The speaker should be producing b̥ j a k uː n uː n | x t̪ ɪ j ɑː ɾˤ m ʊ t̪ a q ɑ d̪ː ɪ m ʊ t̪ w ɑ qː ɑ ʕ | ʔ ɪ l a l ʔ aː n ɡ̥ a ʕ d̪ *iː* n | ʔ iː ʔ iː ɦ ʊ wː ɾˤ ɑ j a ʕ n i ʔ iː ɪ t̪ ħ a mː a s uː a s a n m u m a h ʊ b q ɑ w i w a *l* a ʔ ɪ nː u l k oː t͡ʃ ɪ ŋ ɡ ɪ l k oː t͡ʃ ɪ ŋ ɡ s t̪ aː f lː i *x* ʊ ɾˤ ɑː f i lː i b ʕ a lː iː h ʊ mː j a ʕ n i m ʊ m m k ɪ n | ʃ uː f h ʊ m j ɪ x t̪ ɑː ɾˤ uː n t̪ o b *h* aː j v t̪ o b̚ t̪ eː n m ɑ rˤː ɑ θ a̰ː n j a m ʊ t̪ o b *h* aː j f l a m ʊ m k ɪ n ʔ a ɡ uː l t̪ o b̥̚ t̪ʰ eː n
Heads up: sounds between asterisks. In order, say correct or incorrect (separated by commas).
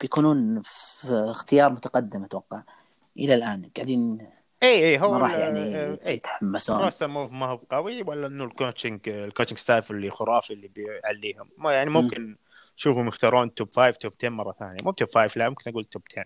correct, incorrect, correct, incorrect, incorrect